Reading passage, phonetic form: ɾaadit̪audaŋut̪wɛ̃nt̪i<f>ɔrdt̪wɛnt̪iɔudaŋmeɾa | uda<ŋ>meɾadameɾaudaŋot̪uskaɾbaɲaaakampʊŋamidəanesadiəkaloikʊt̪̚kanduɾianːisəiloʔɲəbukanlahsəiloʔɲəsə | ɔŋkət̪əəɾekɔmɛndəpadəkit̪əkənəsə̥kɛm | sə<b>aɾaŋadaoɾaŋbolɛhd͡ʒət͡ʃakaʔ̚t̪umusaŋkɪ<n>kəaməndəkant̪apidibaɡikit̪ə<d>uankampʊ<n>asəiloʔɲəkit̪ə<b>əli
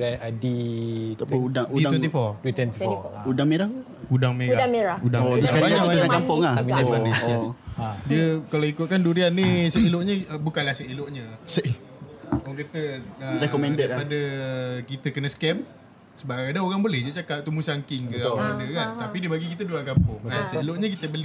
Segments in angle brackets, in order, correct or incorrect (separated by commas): correct, correct, correct, incorrect, correct, incorrect, correct